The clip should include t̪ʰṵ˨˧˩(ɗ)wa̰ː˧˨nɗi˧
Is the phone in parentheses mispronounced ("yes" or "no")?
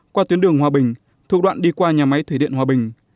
no